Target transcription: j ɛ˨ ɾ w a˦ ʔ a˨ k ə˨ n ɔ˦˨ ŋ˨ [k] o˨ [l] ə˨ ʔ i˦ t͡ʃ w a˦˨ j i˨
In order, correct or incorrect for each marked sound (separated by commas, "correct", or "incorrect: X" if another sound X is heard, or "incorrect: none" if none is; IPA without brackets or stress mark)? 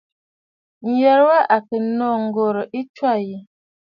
incorrect: ɡ, incorrect: ɾ